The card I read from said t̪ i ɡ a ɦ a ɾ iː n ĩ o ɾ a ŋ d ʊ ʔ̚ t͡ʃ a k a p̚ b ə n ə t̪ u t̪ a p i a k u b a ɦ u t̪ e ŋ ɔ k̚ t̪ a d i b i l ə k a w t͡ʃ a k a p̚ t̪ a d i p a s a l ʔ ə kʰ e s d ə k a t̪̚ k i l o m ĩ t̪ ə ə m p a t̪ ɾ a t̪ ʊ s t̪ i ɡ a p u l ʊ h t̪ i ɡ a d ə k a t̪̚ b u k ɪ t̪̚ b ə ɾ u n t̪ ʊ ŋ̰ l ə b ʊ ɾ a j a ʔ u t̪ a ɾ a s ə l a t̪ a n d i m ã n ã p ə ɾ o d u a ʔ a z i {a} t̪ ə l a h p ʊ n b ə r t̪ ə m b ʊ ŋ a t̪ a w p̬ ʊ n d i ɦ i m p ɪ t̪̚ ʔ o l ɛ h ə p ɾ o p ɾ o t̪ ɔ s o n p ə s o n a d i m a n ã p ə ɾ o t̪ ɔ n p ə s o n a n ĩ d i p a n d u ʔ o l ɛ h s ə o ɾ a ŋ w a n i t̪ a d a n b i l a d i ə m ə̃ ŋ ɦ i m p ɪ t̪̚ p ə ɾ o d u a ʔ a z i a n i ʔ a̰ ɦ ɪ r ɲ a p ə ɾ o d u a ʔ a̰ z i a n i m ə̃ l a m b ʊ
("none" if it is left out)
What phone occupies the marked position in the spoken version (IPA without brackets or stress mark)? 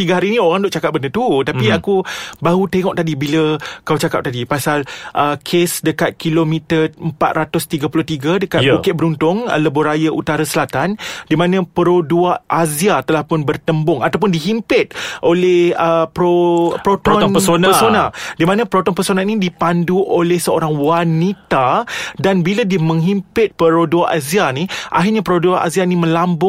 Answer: a